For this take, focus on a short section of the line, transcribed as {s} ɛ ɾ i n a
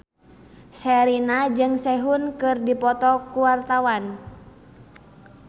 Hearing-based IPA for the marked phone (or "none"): s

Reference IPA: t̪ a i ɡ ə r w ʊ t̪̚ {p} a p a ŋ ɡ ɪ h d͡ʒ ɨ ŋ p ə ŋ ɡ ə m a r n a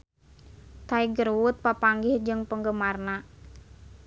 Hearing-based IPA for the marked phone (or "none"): p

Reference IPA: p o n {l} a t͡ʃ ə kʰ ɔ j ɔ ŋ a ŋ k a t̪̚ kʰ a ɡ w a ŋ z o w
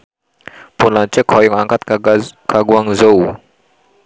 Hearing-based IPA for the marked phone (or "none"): l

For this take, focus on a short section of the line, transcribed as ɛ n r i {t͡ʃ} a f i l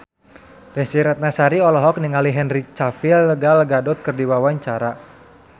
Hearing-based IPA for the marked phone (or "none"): t͡ʃ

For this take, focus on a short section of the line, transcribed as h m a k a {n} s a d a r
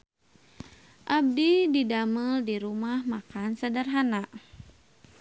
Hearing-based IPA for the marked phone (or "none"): n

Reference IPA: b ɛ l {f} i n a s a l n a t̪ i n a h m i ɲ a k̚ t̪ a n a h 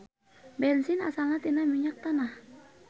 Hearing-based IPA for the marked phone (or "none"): s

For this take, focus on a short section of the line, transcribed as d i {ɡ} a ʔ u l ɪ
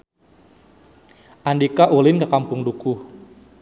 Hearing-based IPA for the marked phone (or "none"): k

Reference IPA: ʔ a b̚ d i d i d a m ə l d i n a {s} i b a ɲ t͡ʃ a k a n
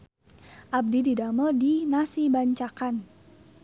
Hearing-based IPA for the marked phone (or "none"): s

